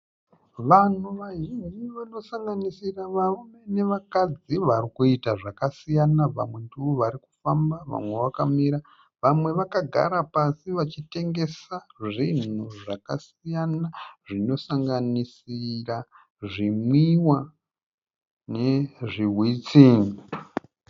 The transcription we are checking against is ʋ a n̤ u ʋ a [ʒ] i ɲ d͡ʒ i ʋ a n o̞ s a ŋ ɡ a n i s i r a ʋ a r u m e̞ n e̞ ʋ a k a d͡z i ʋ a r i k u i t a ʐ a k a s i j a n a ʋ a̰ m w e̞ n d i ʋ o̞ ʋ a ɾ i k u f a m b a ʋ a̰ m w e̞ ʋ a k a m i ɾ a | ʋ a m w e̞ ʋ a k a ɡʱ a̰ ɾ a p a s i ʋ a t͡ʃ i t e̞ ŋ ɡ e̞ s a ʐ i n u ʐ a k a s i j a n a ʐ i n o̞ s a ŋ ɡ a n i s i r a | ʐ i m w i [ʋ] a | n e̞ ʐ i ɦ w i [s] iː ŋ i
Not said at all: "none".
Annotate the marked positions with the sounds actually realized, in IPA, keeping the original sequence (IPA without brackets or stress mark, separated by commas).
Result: ʒ, w, t͡s